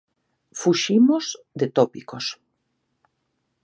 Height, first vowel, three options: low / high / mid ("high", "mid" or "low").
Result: high